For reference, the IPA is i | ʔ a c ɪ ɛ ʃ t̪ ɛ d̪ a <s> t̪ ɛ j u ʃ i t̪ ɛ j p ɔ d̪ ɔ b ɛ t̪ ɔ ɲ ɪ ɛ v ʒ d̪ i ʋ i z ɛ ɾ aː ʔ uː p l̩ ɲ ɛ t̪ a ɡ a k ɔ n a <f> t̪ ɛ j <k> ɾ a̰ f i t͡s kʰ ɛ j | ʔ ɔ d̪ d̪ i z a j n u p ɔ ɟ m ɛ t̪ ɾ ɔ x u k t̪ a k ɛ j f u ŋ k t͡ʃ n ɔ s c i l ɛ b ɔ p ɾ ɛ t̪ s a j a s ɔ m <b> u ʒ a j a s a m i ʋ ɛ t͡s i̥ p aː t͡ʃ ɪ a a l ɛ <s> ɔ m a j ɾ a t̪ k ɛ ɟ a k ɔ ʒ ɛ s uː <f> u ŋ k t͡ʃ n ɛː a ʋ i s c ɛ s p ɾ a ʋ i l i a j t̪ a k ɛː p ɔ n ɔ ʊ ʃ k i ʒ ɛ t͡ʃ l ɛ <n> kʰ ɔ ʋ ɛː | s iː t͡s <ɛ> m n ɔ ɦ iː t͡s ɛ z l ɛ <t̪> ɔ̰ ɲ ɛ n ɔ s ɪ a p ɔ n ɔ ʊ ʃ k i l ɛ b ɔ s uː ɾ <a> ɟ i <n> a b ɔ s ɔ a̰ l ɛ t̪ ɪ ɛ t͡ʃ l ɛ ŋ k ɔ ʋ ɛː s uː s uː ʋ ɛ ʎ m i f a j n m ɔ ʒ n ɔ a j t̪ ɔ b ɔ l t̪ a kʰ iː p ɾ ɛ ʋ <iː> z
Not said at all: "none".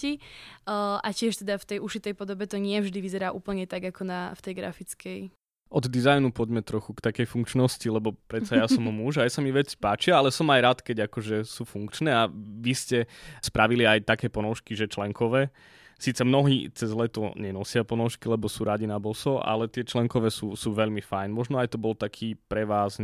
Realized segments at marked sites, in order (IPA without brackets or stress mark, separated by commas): f, f, ɡ, m, s, f, ŋ, ɛ, t̪, a, n, aː